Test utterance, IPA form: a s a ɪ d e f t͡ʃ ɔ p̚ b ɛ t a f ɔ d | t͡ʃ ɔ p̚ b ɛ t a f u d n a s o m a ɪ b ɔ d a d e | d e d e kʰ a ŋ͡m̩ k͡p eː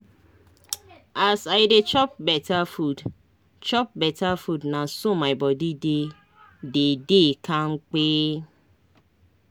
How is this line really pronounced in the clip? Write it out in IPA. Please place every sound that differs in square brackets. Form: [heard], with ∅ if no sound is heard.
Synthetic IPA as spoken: a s a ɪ d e [∅] t͡ʃ ɔ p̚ b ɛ t a f [u] d | t͡ʃ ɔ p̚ b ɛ t a f u d n a s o m a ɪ b ɔ d [i] d e | d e d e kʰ a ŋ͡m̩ k͡p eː